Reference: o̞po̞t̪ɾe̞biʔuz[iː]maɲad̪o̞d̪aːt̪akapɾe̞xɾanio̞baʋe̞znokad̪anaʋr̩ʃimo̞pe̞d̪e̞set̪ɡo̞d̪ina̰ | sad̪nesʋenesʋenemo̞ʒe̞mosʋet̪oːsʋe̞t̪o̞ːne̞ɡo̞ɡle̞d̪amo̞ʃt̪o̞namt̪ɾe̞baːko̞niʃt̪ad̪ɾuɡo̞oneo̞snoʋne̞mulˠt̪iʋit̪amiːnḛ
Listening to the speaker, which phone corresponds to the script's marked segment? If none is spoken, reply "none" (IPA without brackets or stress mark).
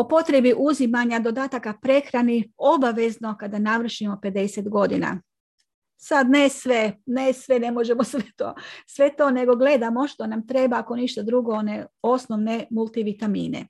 i